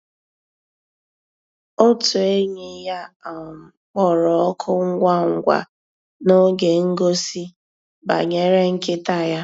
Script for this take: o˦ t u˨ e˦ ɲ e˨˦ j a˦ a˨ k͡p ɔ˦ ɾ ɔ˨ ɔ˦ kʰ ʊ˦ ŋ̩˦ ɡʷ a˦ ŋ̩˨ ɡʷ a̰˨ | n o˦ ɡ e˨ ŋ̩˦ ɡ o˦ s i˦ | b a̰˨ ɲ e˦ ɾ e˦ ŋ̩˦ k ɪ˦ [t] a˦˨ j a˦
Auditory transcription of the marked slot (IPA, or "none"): t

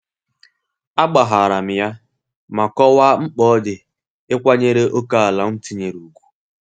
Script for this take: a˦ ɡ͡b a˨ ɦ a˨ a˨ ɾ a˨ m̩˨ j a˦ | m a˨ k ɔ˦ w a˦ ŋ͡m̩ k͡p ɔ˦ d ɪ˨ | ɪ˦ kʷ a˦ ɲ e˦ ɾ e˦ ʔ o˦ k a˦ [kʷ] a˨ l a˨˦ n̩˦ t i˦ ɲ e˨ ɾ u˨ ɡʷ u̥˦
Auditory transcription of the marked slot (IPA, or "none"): none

